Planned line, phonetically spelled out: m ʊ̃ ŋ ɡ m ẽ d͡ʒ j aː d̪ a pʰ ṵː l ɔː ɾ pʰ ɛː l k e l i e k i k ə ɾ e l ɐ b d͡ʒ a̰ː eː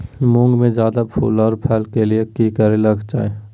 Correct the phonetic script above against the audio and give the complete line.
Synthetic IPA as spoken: m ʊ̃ ŋ ɡ m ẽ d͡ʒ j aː d̪ a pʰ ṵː l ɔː ɾ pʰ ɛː l k e l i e k i k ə ɾ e l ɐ ɡ d͡ʒ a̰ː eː